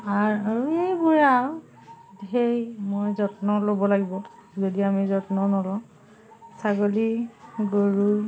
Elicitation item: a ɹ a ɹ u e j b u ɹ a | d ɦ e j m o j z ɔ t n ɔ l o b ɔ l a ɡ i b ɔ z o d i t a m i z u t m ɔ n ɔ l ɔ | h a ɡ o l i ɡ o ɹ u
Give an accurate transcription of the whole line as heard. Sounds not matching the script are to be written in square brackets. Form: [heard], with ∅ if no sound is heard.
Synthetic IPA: a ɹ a ɹ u e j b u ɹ a | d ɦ e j m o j z ɔ t n ɔ l o b ɔ l a ɡ i b ɔ z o d i [∅] a m i z [ɔ] t [n] ɔ n ɔ l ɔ | [s] a ɡ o l i ɡ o ɹ u